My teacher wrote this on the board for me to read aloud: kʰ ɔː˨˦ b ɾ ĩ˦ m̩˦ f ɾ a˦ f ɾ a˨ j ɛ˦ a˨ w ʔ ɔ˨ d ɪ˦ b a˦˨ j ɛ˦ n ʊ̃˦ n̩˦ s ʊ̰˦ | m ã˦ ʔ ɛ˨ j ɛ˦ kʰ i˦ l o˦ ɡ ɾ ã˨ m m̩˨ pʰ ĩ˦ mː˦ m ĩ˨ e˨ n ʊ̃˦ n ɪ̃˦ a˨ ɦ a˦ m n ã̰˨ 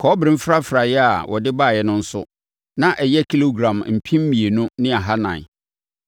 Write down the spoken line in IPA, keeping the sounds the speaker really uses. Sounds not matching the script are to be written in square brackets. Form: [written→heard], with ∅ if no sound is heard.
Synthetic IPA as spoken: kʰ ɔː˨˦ b ɾ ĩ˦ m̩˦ f ɾ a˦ f ɾ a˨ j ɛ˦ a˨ w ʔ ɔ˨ d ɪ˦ b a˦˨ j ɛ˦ n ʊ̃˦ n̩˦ s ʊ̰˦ | [m→n] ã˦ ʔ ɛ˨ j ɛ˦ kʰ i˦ l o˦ ɡ ɾ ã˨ m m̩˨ pʰ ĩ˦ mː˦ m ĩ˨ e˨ n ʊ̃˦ n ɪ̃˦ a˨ ɦ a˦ [m→∅] n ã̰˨